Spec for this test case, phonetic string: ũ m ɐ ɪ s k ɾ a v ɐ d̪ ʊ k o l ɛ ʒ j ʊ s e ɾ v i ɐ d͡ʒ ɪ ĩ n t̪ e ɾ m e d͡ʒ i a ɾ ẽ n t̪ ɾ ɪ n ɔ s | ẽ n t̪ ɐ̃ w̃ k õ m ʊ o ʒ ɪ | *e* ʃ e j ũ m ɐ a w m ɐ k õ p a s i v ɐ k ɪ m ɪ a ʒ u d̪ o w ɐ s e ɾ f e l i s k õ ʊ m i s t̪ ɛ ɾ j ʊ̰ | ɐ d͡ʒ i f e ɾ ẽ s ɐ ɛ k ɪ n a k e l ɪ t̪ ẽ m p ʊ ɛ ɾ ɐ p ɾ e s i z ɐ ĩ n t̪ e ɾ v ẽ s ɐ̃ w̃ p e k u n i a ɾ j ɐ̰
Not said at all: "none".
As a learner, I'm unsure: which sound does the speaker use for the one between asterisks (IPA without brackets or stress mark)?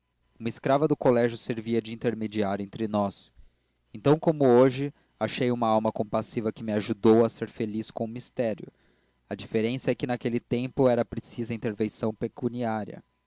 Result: a